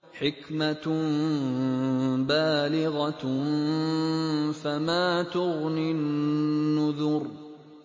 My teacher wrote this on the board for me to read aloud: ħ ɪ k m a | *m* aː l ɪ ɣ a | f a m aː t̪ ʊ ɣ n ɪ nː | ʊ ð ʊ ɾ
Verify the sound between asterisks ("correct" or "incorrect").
incorrect